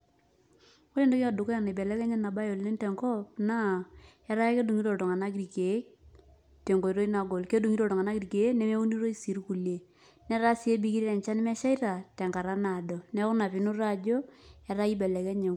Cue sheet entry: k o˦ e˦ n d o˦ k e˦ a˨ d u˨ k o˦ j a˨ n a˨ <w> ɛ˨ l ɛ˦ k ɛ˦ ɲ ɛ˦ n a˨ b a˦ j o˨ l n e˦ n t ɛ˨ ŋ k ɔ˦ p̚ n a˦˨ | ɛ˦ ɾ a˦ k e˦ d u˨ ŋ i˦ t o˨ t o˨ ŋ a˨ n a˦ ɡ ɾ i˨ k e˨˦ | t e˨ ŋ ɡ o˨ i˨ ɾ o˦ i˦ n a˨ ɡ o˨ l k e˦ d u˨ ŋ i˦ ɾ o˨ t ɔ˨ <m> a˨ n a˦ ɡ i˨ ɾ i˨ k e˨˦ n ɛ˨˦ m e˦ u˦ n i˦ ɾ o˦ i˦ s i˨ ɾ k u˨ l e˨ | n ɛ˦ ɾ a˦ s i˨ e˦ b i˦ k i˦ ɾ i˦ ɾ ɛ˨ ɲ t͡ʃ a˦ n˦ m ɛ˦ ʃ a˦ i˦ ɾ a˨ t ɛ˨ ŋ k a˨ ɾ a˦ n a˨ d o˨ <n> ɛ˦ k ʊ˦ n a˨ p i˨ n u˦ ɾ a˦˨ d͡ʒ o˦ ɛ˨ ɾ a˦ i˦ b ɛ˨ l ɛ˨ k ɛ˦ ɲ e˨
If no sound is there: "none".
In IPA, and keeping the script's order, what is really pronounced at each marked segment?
b, ŋ, n

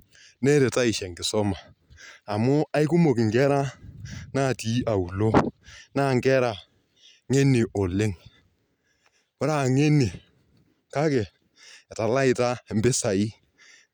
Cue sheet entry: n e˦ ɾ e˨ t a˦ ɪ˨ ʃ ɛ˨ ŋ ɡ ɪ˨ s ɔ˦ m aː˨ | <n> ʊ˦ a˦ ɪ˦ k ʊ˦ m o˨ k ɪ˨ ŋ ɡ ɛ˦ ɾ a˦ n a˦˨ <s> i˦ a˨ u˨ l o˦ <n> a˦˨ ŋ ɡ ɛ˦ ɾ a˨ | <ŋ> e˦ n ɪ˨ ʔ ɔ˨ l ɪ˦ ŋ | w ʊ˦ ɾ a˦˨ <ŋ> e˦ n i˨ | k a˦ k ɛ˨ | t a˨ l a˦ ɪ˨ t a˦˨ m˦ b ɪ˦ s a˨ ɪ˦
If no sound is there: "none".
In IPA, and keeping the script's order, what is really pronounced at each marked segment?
m, t, n, ŋ, ŋ

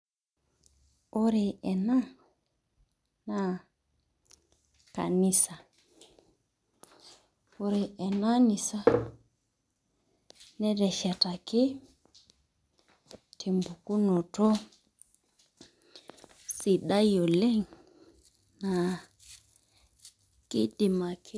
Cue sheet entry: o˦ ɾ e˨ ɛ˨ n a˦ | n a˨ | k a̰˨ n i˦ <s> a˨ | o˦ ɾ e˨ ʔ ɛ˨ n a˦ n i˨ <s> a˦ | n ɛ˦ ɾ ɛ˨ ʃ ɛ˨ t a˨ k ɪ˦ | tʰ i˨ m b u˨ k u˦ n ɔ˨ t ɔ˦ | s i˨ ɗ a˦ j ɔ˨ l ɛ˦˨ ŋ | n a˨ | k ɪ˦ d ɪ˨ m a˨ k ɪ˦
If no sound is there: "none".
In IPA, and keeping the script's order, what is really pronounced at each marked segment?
s, s

